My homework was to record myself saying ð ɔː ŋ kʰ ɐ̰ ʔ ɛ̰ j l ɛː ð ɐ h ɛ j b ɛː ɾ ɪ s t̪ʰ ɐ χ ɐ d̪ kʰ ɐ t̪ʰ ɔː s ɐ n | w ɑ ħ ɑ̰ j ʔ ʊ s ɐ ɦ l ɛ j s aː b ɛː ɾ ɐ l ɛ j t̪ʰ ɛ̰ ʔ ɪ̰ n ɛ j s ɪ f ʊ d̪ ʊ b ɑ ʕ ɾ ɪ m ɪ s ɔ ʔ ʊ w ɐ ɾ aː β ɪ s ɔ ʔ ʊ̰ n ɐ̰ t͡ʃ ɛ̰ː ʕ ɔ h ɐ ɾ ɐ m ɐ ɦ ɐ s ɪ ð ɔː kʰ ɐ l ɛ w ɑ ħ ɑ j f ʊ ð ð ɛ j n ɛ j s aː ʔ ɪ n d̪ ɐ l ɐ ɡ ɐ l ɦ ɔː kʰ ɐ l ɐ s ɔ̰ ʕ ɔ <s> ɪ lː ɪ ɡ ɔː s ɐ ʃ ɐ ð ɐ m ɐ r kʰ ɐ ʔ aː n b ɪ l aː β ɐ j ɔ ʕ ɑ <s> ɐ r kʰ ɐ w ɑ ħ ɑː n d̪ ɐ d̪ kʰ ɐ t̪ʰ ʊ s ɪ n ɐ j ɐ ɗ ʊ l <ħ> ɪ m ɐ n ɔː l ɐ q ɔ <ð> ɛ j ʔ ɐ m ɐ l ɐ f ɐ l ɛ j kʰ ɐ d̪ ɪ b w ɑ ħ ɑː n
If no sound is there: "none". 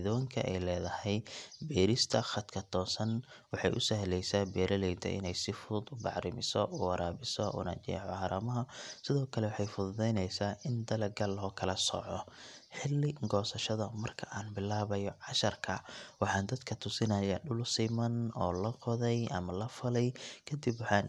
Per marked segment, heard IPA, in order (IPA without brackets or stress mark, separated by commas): ħ, ʃ, s, ð